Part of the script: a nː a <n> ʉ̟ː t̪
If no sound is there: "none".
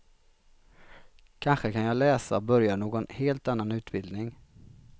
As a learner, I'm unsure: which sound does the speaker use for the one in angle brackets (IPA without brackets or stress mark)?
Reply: n